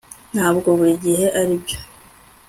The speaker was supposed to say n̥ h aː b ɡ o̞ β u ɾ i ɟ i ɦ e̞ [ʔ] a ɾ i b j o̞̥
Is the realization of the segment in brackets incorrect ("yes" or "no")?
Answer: no